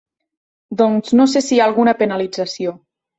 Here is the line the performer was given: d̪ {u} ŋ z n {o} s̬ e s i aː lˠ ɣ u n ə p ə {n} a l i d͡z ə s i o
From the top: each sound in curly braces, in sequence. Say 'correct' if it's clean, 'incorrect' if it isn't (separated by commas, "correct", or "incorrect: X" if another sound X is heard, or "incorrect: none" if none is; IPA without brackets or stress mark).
incorrect: ɔ, correct, correct